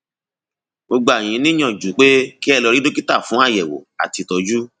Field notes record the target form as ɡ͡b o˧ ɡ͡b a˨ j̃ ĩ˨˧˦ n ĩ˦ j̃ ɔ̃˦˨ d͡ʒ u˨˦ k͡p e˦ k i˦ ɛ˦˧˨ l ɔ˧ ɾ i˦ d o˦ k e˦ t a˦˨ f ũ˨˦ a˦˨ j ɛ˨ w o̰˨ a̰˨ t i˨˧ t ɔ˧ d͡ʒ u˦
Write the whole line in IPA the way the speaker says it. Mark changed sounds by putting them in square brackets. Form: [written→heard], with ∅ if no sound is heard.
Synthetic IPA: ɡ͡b o˧ ɡ͡b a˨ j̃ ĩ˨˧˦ n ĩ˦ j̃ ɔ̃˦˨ d͡ʒ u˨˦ k͡p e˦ k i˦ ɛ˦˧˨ l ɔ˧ ɾ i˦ d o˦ k [e˦→i˦] t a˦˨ f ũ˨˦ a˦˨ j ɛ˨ w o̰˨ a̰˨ t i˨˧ t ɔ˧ d͡ʒ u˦